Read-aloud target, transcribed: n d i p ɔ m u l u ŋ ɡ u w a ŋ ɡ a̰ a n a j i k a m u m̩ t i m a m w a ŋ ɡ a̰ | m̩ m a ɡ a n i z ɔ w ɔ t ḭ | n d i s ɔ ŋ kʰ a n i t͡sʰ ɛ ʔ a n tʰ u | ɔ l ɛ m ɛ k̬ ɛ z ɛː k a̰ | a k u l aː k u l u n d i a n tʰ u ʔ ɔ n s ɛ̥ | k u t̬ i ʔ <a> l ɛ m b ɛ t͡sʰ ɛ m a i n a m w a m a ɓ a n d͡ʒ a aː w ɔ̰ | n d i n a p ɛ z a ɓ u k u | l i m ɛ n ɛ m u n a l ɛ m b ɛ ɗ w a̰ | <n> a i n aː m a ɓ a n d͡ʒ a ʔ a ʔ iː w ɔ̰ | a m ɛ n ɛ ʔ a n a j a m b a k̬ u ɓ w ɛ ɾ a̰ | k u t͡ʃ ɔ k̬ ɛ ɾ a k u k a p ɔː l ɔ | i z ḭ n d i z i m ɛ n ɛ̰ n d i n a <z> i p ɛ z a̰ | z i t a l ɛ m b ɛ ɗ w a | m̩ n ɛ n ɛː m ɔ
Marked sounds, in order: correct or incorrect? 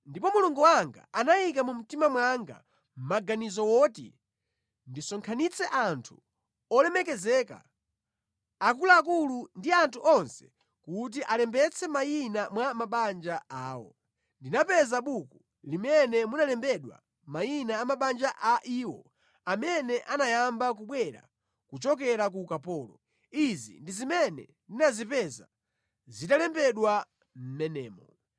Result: correct, incorrect, correct

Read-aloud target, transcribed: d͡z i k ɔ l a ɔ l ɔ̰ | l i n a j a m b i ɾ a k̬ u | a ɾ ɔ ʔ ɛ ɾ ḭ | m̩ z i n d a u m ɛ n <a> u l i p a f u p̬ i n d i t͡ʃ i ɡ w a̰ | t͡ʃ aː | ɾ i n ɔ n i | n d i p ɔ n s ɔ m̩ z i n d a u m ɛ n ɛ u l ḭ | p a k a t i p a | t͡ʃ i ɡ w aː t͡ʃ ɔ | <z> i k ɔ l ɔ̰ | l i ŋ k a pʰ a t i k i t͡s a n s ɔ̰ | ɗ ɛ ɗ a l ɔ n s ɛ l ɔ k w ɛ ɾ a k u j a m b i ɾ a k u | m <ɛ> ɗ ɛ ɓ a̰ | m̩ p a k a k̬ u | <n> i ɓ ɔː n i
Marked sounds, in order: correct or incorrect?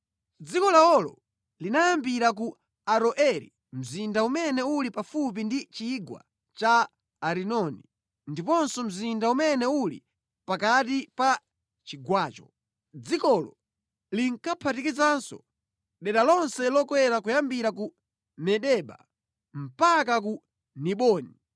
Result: incorrect, incorrect, correct, correct

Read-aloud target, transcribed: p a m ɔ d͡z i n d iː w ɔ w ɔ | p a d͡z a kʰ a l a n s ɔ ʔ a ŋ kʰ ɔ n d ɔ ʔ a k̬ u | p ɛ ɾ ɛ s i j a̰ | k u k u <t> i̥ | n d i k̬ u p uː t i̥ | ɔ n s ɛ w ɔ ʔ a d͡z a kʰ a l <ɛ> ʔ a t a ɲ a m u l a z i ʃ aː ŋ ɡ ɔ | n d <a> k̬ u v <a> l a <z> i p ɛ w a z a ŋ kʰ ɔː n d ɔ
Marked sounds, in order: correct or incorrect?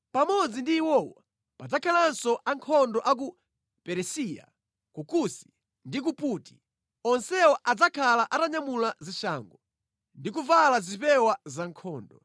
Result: incorrect, incorrect, incorrect, correct, correct

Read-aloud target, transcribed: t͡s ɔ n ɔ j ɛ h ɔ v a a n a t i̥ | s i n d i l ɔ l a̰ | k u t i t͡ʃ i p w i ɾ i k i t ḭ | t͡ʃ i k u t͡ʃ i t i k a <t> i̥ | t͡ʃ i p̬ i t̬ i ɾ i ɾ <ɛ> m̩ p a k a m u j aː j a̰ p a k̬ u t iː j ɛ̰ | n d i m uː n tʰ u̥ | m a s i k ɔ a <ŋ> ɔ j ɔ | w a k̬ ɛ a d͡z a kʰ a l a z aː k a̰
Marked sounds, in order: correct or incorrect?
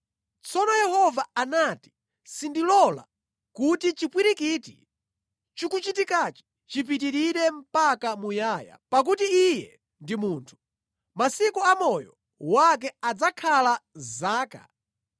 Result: incorrect, correct, incorrect

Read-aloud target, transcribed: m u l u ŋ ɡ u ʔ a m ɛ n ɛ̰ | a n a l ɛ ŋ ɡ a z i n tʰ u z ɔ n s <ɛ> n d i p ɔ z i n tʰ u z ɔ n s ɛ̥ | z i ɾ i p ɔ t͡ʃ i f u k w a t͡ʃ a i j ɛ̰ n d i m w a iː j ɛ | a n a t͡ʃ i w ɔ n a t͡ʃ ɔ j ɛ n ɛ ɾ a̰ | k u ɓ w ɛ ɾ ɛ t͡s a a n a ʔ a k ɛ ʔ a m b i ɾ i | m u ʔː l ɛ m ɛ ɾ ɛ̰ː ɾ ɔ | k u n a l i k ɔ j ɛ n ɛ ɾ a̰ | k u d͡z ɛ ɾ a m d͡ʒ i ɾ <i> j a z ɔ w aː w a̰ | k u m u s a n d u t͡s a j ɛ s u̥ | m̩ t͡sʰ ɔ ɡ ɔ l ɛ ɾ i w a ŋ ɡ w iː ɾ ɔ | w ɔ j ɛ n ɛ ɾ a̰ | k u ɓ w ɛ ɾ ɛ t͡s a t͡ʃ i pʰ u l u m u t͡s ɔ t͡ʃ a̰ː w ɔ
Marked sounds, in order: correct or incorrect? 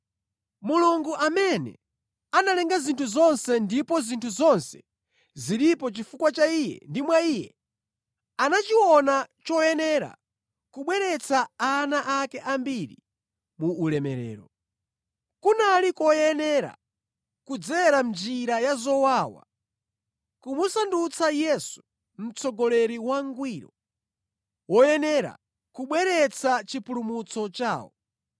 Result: correct, incorrect

